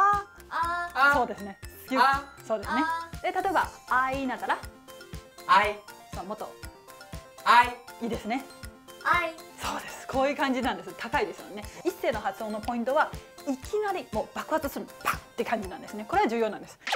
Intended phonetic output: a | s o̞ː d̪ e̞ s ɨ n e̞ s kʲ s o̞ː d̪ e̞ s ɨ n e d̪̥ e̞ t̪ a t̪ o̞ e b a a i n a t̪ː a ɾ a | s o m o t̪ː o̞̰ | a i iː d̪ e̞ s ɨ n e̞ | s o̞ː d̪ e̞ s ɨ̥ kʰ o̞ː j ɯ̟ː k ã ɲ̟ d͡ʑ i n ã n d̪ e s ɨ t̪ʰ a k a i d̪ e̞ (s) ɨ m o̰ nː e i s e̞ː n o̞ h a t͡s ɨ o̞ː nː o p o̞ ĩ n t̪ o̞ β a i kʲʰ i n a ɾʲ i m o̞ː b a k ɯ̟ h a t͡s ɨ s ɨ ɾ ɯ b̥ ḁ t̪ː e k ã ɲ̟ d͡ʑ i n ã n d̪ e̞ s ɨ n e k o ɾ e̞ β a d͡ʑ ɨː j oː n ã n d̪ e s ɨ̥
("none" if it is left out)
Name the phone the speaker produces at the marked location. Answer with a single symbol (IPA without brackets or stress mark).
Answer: s